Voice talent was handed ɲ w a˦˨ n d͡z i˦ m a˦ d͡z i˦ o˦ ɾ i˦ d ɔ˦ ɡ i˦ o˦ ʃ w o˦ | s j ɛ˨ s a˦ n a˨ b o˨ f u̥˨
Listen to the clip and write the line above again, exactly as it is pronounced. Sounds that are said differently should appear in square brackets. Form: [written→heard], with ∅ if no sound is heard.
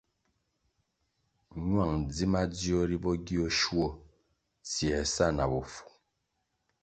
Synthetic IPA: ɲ w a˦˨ [n→ŋ] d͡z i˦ m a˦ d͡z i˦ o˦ ɾ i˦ [d→b] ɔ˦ ɡ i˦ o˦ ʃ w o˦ | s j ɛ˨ s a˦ n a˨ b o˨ f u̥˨